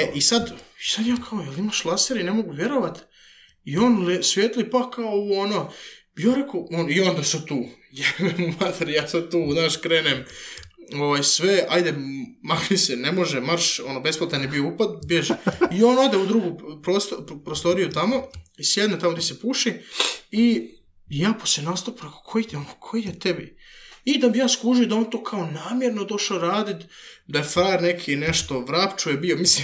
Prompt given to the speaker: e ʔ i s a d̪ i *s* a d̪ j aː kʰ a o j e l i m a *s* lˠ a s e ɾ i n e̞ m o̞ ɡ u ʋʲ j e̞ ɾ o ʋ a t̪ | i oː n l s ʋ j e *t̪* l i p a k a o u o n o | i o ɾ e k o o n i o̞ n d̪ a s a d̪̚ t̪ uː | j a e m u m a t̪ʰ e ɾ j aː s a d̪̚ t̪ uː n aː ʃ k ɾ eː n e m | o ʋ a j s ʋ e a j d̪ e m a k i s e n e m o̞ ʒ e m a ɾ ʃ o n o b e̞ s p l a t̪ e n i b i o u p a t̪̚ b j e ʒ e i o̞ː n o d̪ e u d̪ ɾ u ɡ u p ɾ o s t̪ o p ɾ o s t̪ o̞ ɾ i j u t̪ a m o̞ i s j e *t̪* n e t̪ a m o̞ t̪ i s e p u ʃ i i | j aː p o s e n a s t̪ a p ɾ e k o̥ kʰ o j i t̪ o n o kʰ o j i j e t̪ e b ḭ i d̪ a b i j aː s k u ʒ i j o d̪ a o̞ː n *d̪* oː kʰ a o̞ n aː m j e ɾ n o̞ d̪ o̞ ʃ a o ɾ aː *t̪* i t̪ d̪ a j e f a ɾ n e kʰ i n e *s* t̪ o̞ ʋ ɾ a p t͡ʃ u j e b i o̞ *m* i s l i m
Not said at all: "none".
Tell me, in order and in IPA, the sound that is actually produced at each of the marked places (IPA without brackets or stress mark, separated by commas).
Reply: s, ʃ, t̪, d̪, t̪, d̪, ʃ, m